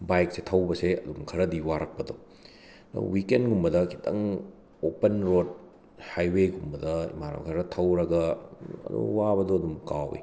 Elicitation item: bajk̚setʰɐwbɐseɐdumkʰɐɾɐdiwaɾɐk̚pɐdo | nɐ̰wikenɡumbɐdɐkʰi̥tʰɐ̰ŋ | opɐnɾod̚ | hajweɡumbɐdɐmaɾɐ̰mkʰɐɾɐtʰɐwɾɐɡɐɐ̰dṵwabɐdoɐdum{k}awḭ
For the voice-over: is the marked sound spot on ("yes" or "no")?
yes